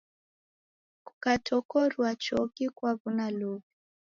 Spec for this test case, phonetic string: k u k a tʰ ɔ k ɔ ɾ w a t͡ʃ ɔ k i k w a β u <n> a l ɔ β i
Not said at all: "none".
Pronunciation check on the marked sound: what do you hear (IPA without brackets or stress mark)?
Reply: n